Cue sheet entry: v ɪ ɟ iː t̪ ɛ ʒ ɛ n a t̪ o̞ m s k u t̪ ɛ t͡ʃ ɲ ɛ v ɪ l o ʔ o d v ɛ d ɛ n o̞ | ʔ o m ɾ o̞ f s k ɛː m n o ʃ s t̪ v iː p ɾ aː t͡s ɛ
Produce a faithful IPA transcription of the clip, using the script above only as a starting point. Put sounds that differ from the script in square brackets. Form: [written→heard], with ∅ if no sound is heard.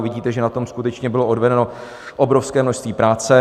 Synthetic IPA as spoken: v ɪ ɟ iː t̪ ɛ ʒ ɛ n a t̪ o̞ m s k u t̪ ɛ t͡ʃ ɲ ɛ [v→b] ɪ l o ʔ o d v ɛ d ɛ n o̞ | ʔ o [m→b] ɾ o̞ f s k ɛː m n o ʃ s t̪ v iː p ɾ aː t͡s ɛ